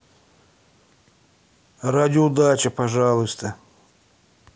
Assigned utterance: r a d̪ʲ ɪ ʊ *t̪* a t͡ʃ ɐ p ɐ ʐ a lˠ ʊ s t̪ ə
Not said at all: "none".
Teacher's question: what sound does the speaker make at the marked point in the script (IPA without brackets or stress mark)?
d̪